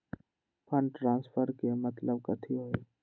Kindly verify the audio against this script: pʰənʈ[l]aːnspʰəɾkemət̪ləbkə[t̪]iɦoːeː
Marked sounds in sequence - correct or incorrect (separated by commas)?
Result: incorrect, incorrect